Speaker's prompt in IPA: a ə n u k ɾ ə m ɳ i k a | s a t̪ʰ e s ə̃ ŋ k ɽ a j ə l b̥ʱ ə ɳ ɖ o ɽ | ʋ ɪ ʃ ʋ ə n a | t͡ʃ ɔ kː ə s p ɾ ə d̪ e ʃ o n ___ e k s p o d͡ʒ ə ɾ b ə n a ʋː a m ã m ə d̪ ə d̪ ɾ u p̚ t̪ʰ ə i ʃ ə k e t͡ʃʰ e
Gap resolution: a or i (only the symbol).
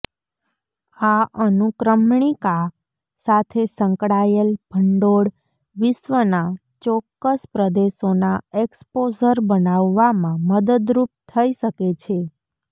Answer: a